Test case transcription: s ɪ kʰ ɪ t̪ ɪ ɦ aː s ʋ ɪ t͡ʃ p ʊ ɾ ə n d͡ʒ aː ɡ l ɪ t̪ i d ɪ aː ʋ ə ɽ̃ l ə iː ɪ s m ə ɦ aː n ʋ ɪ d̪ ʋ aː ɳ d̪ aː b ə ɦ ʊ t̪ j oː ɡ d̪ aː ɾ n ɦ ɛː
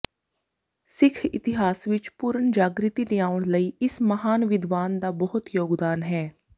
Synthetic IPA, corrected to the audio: s ɪ kʰ ɪ t̪ ɪ ɦ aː s ʋ ɪ t͡ʃ p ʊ ɾ ə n d͡ʒ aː ɡ ɾ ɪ t̪ i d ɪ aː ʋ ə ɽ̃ l ə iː ɪ s m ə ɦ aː n ʋ ɪ d̪ ʋ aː n d̪ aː b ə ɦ ʊ t̪ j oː ɡ d̪ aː n ɦ ɛː